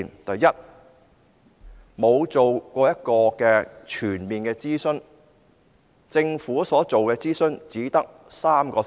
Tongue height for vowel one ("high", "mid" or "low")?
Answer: low